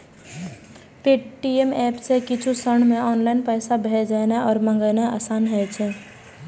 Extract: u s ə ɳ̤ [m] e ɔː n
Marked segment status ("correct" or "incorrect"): correct